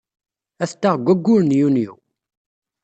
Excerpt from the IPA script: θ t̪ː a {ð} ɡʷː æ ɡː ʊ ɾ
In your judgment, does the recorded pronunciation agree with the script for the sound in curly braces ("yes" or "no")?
no